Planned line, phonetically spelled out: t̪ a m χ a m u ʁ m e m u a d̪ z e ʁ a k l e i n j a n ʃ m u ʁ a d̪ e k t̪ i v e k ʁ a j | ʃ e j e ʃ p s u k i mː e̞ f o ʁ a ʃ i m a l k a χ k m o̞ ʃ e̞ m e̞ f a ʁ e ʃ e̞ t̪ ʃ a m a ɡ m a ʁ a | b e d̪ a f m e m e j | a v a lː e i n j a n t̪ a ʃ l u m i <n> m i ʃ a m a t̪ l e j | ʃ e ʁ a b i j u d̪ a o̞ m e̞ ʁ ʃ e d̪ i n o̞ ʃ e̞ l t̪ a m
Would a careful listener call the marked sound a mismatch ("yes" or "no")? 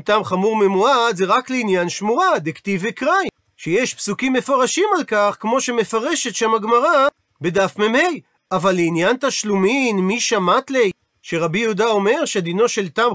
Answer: no